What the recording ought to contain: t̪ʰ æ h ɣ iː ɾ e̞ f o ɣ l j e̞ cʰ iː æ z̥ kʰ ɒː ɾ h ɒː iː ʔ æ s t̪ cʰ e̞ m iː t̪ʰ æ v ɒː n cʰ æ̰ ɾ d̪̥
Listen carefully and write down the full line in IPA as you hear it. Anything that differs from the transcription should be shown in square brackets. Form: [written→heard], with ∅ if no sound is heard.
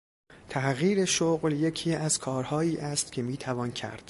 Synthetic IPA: t̪ʰ æ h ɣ iː ɾ e̞ [f→ʃ] o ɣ l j e̞ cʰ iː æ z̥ kʰ ɒː ɾ h ɒː iː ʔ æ s t̪ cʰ e̞ m iː t̪ʰ æ v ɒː n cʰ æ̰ ɾ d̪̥